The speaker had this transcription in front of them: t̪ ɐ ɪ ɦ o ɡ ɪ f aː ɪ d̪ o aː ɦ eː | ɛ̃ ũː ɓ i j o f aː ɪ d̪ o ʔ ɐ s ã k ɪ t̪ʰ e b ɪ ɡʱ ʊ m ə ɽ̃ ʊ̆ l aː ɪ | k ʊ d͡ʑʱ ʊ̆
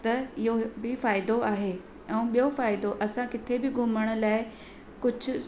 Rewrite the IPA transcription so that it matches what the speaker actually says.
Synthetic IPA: t̪ ɐ ɪ ɦ o b ɪ f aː ɪ d̪ o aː ɦ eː | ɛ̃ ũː ɓ i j o f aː ɪ d̪ o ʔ ɐ s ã k ɪ t̪ʰ e b ɪ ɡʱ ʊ m ə ɽ̃ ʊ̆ l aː ɪ | k ʊ d͡ʑʱ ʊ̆

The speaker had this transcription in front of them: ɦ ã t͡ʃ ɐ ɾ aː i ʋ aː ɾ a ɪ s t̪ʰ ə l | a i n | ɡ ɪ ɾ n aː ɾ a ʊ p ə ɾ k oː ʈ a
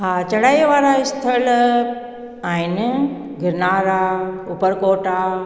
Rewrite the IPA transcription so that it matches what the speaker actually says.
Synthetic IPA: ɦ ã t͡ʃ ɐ ɽ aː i ʋ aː ɾ a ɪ s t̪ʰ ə l | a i n | ɡ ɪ ɾ n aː ɾ a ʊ p ə ɾ k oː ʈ a

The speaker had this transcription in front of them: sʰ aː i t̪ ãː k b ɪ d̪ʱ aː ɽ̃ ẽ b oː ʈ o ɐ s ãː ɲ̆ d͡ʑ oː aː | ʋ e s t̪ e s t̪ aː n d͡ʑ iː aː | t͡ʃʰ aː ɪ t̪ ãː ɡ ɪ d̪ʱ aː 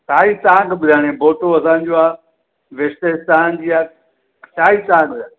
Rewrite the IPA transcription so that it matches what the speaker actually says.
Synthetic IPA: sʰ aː i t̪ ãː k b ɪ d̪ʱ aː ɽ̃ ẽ b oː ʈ o ɐ s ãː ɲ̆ d͡ʑ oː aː | ʋ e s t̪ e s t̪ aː n d͡ʑ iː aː | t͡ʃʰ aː i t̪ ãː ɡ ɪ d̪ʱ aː

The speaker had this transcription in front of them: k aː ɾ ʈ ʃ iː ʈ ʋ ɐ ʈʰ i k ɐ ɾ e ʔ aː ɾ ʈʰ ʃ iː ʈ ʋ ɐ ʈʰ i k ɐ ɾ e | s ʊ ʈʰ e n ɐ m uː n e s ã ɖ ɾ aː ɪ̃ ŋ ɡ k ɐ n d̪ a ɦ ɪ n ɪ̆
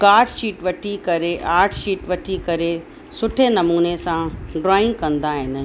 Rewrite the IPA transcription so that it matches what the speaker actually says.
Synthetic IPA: k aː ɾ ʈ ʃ iː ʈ ʋ ɐ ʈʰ i k ɐ ɾ e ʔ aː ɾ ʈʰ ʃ iː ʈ ʋ ɐ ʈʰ i k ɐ ɾ e | s ʊ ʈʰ e n ɐ m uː n e s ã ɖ ɾ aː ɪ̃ ŋ ɡ k ɐ̃ n d̪ a ɦ ɪ n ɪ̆

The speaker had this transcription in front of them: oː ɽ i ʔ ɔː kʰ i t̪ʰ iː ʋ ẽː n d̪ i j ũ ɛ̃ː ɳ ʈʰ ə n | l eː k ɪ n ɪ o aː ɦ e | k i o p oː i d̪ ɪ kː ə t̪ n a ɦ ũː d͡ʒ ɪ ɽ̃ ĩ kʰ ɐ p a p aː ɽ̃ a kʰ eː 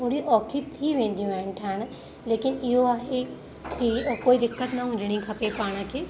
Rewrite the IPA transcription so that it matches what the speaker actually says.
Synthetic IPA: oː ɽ i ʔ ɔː kʰ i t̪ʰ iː ʋ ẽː n d̪ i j ũ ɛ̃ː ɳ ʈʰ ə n | l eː k ɪ n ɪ o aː ɦ e | k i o k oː i d̪ ɪ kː ə t̪ n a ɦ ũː d͡ʒ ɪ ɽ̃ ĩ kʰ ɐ p e p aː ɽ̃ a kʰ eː

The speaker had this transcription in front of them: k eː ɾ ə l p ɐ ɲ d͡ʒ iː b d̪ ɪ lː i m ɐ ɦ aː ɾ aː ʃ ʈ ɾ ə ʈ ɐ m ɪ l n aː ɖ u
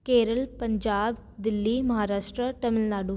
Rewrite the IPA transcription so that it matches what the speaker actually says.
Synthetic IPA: k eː ɾ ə l p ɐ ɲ d͡ʒ aː b d̪ ɪ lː i m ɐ ɦ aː ɾ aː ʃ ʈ ɾ ə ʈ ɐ m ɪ l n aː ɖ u

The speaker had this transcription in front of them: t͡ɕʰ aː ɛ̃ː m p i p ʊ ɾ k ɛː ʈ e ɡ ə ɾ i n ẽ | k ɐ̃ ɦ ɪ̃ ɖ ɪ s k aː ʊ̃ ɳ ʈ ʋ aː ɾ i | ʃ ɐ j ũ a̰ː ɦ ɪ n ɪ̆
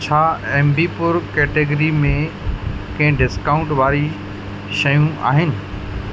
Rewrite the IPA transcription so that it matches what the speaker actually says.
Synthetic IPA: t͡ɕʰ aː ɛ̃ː m b i p ʊ ɾ k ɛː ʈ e ɡ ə ɾ i m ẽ | k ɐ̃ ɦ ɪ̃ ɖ ɪ s k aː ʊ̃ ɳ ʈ ʋ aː ɾ i | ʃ ɐ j ũ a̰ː ɦ ɪ n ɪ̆

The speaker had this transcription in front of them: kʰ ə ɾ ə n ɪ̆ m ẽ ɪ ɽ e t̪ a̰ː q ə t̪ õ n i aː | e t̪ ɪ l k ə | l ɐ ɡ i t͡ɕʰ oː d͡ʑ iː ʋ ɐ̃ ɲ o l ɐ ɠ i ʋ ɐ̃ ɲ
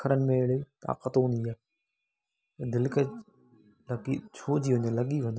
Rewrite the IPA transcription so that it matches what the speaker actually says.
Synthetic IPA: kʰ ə ɾ ə n ɪ̆ m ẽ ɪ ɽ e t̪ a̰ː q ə t̪ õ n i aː | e d̪ ɪ l k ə | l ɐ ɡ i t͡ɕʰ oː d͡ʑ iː ʋ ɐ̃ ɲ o l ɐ ɠ i ʋ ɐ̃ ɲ

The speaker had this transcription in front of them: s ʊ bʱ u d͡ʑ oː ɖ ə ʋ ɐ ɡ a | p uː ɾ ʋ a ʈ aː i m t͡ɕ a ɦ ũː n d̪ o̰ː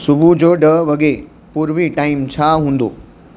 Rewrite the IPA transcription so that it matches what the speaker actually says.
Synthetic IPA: s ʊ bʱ u d͡ʑ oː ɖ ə ʋ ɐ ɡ e | p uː ɾ ʋ i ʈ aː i m t͡ɕʰ a ɦ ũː n d̪ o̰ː

